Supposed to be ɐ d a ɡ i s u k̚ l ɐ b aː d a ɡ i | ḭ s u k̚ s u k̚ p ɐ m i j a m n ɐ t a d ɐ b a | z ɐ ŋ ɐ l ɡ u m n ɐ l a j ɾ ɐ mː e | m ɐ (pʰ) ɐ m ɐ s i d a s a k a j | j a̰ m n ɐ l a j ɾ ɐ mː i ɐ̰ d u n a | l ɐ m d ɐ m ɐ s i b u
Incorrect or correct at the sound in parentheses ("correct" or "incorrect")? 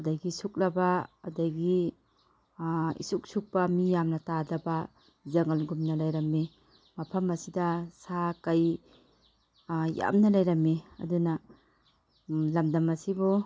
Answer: correct